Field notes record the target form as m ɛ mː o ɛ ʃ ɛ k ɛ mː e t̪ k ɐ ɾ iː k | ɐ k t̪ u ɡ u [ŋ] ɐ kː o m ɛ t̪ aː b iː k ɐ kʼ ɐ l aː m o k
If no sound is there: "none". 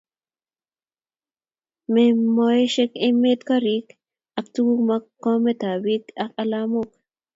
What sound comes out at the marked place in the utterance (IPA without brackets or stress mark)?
m